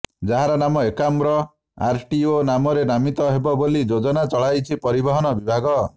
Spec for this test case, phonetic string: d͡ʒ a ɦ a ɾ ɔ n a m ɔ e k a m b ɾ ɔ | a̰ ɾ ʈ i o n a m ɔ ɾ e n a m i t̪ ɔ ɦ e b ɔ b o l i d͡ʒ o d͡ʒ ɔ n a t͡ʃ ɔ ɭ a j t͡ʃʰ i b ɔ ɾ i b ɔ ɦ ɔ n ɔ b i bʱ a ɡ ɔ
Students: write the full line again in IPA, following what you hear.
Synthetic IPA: d͡ʒ a ɦ a ɾ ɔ n a m ɔ e k a m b ɾ ɔ | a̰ ɾ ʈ i o n a m ɔ ɾ e n a m i t̪ ɔ ɦ e b ɔ b o l i d͡ʒ o d͡ʒ ɔ n a t͡ʃ ɔ ɭ a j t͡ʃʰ i p ɔ ɾ i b ɔ ɦ ɔ n ɔ b i bʱ a ɡ ɔ